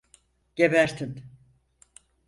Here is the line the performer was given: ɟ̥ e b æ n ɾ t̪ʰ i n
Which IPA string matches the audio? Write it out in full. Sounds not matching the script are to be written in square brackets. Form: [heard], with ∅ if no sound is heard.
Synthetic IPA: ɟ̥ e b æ [∅] ɾ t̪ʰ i n